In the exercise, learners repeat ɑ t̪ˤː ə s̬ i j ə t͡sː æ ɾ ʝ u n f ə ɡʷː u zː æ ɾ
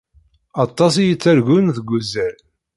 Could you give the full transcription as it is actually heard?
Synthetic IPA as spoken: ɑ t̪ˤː ɑ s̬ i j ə t͡sː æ ɾ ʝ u n θ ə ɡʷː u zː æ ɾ